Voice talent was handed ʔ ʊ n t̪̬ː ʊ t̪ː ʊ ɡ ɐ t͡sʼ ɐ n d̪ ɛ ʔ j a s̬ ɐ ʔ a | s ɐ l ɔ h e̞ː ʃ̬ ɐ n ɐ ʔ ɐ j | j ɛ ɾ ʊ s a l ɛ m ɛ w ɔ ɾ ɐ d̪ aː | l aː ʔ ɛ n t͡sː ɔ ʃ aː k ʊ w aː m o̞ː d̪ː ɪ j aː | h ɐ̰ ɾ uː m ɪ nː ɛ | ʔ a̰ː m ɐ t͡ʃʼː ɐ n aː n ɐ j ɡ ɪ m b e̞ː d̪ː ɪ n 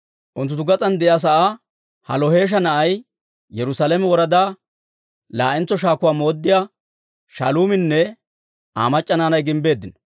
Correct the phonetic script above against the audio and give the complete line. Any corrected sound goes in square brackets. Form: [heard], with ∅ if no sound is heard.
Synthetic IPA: ʔ ʊ n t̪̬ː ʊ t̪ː ʊ ɡ ɐ t͡sʼ ɐ n d̪ ɛ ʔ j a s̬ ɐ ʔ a | [h] ɐ l ɔ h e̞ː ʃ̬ ɐ n ɐ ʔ ɐ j | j ɛ ɾ ʊ s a l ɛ m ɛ w ɔ ɾ ɐ d̪ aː | l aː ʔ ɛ n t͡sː ɔ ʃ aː k ʊ w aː m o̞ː d̪ː ɪ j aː | [ʃ] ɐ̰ [l] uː m ɪ nː ɛ | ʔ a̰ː m ɐ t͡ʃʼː ɐ n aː n ɐ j ɡ ɪ m b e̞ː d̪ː ɪ n